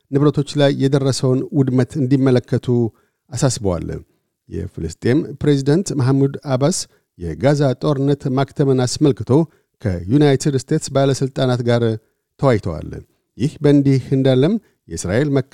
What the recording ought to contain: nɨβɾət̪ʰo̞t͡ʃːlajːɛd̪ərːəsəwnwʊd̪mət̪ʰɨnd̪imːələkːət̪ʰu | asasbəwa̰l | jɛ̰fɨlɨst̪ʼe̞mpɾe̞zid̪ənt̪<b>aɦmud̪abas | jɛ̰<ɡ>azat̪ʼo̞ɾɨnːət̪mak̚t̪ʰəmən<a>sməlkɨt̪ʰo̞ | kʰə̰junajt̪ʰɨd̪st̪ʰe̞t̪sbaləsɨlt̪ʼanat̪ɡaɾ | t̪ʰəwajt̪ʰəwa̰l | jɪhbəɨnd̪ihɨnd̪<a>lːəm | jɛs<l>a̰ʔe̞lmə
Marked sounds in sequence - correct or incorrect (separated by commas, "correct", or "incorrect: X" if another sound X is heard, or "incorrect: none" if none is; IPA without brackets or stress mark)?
incorrect: m, correct, correct, correct, incorrect: ɾ